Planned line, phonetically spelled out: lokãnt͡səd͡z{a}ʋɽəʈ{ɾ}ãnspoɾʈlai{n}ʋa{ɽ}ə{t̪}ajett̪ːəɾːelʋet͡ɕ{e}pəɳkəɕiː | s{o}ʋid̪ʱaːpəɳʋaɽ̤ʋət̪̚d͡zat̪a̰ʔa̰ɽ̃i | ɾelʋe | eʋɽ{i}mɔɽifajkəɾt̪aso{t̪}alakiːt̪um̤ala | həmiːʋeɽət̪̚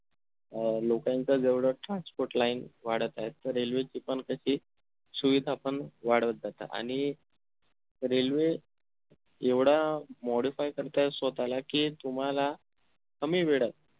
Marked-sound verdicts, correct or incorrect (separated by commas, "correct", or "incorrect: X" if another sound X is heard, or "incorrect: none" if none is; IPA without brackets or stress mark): incorrect: e, correct, correct, correct, correct, incorrect: i, incorrect: u, incorrect: a, correct